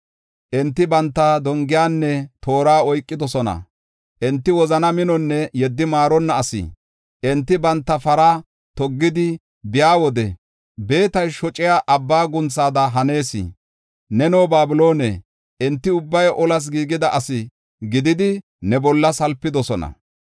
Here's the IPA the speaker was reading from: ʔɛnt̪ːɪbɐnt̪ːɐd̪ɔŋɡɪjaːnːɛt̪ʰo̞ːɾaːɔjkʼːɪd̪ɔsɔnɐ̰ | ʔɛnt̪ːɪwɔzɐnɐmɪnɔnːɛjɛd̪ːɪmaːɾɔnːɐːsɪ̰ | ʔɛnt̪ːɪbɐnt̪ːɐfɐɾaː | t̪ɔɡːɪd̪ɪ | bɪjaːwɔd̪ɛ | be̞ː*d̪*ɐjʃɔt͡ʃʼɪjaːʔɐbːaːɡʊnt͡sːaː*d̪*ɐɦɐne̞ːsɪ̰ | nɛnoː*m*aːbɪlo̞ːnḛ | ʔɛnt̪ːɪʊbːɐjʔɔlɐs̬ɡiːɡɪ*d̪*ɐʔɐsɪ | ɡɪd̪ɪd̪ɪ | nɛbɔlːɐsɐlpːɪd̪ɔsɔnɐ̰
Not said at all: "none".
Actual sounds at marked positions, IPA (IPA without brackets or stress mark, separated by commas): t̪, d̪, b, d̪